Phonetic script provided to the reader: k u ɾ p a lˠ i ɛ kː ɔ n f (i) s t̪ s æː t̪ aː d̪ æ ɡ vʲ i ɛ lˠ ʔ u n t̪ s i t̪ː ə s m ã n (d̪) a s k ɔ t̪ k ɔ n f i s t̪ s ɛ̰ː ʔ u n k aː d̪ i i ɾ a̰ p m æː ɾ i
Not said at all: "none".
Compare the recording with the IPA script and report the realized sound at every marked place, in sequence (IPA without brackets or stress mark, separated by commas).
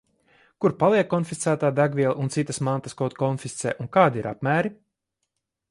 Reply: i, t̪